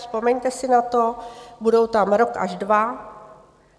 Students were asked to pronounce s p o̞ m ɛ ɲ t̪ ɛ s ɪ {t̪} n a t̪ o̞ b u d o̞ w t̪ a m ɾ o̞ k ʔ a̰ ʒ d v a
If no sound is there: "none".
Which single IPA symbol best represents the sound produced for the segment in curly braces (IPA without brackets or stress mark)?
none